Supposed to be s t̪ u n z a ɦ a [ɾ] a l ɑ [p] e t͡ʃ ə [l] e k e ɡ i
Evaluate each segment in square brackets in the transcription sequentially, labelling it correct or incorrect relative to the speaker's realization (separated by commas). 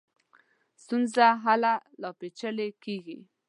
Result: incorrect, correct, correct